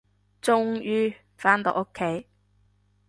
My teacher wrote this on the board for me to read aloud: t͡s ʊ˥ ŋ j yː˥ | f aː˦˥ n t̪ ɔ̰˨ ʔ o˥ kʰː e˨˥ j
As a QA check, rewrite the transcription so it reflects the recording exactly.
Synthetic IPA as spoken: t͡s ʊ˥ ŋ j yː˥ | f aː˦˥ n t̪ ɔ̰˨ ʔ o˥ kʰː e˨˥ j